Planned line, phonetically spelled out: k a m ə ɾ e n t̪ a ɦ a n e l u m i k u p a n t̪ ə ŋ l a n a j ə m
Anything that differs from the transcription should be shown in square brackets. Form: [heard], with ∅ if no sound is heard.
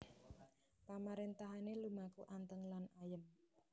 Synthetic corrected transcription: [p] a m [a] ɾ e n t̪ a ɦ a n e l u m [a] k u [ʔ] a n t̪ ə ŋ l a n a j ə m